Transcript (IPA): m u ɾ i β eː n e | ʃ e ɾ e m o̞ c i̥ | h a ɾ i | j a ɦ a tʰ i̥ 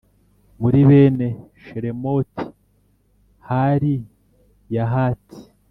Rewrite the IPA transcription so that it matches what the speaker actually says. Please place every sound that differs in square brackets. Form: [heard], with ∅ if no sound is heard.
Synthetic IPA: m u ɾ i β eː n e | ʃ e ɾ e m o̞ [t] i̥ | h a ɾ i | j a ɦ a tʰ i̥